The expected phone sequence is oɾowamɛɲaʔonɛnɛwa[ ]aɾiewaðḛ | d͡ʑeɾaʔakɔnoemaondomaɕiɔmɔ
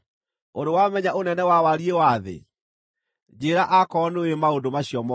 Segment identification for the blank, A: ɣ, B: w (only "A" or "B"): B